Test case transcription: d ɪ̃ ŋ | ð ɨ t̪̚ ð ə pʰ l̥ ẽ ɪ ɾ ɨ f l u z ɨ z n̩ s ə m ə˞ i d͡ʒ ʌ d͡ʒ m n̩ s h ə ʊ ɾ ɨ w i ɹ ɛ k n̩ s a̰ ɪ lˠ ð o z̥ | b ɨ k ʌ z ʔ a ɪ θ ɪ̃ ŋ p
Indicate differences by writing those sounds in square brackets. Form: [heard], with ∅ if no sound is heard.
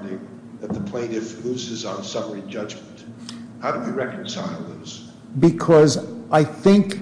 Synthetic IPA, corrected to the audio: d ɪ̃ ŋ | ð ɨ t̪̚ ð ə pʰ l̥ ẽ ɪ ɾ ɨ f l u z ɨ z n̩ s [ʌ] m ə˞ i d͡ʒ ʌ d͡ʒ m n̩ [t] h [a] ʊ ɾ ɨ w i ɹ ɛ k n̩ s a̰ ɪ lˠ ð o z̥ | b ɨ [kʰ] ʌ z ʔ a ɪ θ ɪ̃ ŋ [k]

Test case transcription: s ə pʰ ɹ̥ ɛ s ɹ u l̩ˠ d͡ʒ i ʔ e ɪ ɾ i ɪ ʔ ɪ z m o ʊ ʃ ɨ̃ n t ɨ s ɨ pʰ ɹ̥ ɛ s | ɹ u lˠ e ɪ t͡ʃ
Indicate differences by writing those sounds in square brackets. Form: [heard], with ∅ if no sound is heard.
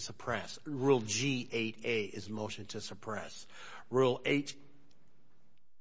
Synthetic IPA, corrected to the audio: s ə pʰ ɹ̥ ɛ s ɹ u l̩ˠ d͡ʒ i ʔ e ɪ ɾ [e] ɪ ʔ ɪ z m o ʊ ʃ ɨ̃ n [tʰ] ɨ s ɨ pʰ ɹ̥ ɛ s | ɹ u lˠ e ɪ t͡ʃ

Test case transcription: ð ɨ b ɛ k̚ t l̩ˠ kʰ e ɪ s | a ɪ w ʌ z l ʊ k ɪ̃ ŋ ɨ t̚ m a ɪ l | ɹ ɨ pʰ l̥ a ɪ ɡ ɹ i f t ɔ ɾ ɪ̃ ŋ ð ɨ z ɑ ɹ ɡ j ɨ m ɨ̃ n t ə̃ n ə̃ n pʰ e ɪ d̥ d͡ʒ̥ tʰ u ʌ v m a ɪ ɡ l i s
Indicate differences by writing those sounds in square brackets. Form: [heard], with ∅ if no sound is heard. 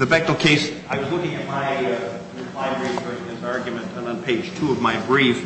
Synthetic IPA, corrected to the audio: ð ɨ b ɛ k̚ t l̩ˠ kʰ e ɪ s | a ɪ w ʌ z l ʊ k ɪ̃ ŋ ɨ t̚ m a ɪ [∅] | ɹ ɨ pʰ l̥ a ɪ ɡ ɹ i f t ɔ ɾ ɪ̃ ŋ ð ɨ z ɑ ɹ ɡ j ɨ m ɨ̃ n t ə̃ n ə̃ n pʰ e ɪ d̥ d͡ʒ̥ tʰ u ʌ v m a ɪ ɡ [ɹ] i [f]

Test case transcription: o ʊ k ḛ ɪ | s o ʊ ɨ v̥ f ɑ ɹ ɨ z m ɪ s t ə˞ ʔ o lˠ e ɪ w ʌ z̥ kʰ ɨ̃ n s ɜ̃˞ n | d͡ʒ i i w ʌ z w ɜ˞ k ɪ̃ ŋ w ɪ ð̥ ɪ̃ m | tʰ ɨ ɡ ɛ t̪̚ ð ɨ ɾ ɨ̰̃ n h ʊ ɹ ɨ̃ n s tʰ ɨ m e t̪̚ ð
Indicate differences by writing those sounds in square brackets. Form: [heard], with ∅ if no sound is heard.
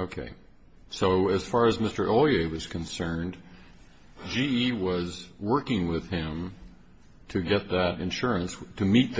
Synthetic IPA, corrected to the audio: o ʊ [kʰ] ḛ ɪ | s o ʊ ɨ [z̥] f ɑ ɹ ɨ z m ɪ s t ə˞ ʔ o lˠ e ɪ w ʌ z̥ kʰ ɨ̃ n s ɜ̃˞ n | d͡ʒ i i w ʌ z w ɜ˞ k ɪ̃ ŋ w ɪ ð̥ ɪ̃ m | tʰ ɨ ɡ ɛ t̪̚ ð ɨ ɾ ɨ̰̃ n [ʃ] ʊ ɹ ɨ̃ n s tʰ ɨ m [i] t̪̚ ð

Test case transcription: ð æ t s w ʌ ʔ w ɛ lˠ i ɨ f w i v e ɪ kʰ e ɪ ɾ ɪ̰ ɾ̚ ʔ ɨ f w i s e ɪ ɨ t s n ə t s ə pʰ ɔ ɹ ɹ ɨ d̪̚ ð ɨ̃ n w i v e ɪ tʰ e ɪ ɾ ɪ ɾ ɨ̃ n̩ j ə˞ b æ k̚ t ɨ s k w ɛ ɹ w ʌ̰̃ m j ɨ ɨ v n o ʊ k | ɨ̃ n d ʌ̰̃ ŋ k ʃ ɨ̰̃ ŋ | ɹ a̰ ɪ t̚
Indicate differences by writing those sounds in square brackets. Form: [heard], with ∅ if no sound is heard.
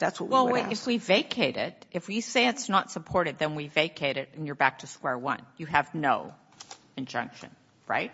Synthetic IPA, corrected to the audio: ð æ t s w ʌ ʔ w ɛ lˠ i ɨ f w i v e ɪ kʰ e ɪ ɾ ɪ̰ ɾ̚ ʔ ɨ f w i s e ɪ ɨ t s n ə t s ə pʰ ɔ ɹ [ɾ] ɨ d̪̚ ð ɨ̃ n w i v e ɪ [kʰ] e ɪ ɾ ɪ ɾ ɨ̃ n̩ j ə˞ b æ k̚ [tʰ] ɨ s k w ɛ ɹ w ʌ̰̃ [n] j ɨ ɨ v n o ʊ [∅] | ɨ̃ n [d͡ʒ] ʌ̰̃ ŋ k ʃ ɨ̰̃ [n] | ɹ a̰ ɪ t̚

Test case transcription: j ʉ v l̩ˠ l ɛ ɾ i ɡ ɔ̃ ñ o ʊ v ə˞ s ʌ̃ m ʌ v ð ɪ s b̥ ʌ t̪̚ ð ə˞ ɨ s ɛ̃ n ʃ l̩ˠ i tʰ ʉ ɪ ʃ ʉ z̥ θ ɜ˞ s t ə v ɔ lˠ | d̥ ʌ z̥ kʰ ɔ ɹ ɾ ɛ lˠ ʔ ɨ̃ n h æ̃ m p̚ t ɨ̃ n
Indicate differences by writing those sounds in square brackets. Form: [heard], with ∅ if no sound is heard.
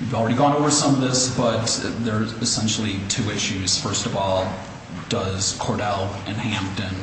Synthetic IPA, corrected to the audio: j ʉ v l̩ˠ [ɹ] ɛ ɾ i ɡ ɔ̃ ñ o ʊ v ə˞ s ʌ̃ m ʌ v ð ɪ s b̥ ʌ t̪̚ ð ə˞ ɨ s ɛ̃ n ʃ l̩ˠ i tʰ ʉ ɪ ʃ ʉ z̥ [f] ɜ˞ s t [ʌ] v ɔ lˠ | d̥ ʌ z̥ kʰ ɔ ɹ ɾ ɛ lˠ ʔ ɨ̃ n h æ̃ m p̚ t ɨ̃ n

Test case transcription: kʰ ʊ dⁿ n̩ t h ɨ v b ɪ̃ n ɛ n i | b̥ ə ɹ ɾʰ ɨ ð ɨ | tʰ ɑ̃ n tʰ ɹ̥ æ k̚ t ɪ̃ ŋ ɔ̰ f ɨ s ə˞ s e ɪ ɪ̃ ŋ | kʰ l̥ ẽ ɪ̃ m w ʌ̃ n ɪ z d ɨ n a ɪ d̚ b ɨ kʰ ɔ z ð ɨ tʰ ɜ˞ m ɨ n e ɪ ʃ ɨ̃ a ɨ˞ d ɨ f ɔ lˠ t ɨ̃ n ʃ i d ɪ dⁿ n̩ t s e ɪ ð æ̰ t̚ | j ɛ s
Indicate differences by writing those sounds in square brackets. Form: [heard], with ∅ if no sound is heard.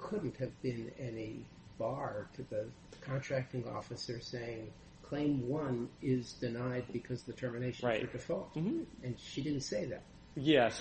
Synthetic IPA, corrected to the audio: kʰ ʊ dⁿ n̩ t h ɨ v b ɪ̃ n ɛ n i | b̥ [ɑ] ɹ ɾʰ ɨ ð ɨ | [kʰ] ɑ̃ n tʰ ɹ̥ æ k̚ t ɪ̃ ŋ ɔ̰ f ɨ s ə˞ s e ɪ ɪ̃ ŋ | kʰ l̥ ẽ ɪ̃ m w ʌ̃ n ɪ z d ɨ n a ɪ d̚ b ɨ kʰ [ʌ] z ð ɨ tʰ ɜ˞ m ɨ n e ɪ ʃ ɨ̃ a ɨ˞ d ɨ f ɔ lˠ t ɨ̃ n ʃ i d ɪ dⁿ n̩ t s e ɪ ð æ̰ t̚ | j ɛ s

